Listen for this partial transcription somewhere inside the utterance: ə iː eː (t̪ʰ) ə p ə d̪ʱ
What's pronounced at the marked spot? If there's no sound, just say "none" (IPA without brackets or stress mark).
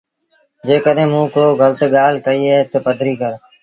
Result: t̪